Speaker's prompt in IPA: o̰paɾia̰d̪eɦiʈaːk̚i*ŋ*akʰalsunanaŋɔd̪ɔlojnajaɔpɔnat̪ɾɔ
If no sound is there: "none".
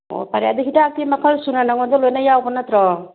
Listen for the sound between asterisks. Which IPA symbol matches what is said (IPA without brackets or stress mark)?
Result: m